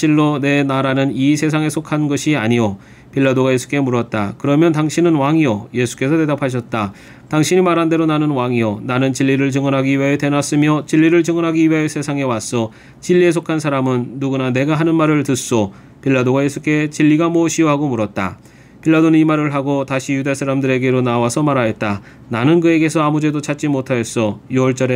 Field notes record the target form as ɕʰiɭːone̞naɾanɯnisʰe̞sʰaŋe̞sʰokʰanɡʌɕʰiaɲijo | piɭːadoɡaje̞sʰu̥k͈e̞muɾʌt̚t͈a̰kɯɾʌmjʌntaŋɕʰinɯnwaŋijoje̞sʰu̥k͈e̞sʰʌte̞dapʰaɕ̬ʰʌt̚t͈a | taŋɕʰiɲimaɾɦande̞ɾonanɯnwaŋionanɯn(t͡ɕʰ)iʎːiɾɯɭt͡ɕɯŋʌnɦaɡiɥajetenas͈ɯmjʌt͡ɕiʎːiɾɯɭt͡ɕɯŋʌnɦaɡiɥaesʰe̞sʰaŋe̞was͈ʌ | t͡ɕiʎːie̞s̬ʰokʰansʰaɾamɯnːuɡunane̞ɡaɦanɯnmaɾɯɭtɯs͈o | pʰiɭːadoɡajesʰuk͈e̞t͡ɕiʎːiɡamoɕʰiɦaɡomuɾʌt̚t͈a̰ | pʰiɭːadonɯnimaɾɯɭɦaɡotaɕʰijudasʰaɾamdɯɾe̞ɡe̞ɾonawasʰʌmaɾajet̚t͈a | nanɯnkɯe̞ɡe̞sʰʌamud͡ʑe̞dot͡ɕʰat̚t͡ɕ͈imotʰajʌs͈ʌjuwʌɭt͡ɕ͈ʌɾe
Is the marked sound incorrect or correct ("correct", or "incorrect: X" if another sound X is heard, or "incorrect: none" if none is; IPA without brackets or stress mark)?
incorrect: t͡ɕ